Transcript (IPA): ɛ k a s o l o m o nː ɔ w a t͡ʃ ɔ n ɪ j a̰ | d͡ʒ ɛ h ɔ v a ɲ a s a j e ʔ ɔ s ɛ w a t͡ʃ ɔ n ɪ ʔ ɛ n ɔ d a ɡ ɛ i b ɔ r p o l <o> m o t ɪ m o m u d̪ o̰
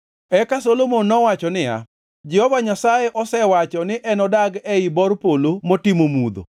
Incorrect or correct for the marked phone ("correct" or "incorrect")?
correct